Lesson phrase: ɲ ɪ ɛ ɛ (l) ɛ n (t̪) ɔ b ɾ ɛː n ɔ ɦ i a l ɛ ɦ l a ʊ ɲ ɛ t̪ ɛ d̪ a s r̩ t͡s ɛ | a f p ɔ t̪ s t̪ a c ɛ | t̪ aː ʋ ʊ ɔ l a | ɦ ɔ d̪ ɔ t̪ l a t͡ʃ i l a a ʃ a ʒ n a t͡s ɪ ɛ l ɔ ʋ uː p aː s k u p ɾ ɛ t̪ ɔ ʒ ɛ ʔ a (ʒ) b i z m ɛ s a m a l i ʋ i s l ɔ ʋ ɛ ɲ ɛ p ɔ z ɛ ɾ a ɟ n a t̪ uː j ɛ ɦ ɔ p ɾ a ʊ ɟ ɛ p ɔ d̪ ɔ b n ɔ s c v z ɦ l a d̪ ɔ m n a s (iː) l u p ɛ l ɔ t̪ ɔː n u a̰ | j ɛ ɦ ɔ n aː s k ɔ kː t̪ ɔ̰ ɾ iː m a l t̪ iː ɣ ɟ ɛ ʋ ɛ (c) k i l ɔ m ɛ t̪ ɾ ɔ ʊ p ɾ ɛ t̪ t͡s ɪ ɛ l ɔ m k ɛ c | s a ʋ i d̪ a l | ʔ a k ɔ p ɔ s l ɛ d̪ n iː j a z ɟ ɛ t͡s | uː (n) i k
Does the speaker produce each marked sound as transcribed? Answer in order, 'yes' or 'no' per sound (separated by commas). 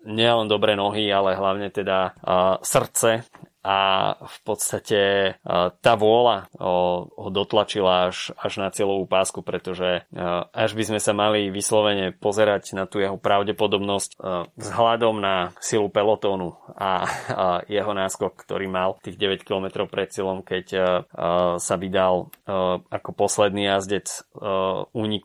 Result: yes, no, yes, no, yes, no